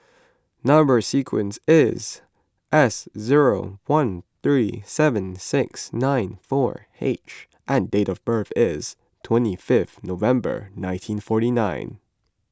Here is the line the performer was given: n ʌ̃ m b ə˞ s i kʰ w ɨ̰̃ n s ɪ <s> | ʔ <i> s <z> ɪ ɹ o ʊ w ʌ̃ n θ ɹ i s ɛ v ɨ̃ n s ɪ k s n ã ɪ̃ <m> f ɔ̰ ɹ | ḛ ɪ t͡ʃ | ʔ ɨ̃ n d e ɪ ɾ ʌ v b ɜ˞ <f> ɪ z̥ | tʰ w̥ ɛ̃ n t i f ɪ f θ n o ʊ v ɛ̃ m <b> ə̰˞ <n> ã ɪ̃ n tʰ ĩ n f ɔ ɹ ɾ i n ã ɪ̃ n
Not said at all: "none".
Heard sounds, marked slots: z, ɛ, z, n, θ, b, n

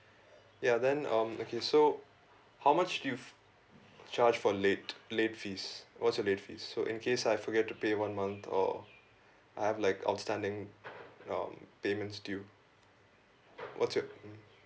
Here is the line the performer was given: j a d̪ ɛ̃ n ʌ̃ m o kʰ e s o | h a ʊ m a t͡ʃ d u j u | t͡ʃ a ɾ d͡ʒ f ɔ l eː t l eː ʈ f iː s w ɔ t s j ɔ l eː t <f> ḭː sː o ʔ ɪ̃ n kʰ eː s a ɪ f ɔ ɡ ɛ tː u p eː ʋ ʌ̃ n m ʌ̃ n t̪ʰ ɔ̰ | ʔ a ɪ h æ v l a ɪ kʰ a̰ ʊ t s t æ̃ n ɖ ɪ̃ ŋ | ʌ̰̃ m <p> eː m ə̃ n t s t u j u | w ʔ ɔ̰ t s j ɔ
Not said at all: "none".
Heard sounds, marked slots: f, p

